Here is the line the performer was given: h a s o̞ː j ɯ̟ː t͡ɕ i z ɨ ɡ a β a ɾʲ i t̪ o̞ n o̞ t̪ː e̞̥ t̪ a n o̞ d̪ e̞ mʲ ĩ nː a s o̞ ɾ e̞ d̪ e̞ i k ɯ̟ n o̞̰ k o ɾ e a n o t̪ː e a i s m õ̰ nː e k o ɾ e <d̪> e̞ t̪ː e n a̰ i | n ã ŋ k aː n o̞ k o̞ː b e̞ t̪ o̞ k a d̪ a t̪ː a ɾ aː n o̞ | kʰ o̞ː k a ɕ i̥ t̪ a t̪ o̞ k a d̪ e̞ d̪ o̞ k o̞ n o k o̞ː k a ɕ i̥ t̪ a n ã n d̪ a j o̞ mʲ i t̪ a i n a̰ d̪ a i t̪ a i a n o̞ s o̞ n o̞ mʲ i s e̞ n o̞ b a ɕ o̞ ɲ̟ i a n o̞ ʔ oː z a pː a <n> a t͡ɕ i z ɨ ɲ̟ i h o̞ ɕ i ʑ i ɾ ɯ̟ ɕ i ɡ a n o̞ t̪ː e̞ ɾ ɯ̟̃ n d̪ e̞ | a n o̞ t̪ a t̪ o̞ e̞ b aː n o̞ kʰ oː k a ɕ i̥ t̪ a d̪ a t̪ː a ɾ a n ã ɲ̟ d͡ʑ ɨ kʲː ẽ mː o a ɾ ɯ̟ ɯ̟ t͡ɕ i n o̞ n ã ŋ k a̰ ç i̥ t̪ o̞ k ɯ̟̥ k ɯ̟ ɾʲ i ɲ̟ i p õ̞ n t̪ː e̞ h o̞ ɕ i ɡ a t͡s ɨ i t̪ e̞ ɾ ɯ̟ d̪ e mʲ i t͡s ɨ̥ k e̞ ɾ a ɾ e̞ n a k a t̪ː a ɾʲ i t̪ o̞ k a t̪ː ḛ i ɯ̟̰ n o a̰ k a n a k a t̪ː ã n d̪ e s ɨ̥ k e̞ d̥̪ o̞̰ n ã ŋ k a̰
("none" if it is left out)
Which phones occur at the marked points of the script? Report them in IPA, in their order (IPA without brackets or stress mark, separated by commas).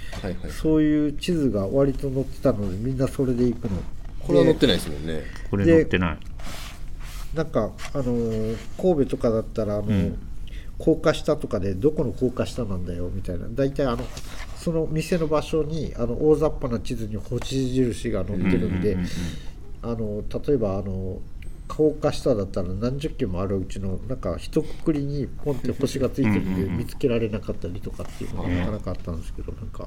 d̪, n